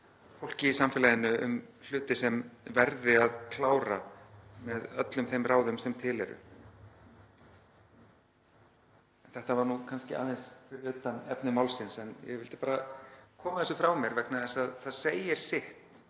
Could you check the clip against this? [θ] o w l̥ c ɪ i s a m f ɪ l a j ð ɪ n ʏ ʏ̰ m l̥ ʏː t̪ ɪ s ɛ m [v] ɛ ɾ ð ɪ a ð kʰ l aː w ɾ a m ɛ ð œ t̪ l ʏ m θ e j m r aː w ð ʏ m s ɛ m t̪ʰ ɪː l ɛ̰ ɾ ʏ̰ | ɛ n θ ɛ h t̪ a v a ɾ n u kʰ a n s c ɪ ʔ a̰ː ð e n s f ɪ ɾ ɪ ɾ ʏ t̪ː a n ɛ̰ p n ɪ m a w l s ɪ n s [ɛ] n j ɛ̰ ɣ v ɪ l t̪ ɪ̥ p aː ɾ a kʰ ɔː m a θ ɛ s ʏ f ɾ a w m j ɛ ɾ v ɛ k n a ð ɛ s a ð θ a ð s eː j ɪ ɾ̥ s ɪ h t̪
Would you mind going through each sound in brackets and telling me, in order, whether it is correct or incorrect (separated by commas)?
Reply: incorrect, correct, correct